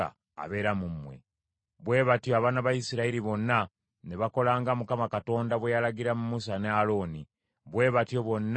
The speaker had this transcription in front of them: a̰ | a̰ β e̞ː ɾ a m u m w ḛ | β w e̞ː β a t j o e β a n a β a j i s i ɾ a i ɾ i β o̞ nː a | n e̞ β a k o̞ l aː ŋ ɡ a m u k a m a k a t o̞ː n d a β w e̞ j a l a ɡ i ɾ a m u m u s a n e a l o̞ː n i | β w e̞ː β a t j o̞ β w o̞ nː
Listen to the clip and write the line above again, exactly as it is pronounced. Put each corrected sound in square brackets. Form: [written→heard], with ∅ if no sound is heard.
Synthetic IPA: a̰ | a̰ β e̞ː ɾ a m u m w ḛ | β w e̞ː β a t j o [e→a] β a n a β a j i s i ɾ a i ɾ i β o̞ nː a | n e̞ β a k o̞ l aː ŋ ɡ a m u k a m a k a t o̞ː n d a β w e̞ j a l a ɡ i ɾ a m u m u s a n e a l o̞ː n i | β w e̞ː β a t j o̞ β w o̞ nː